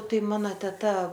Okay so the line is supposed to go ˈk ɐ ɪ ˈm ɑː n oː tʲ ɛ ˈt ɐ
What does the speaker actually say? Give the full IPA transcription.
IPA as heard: ˈt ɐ ɪ ˈm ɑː n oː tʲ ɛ ˈt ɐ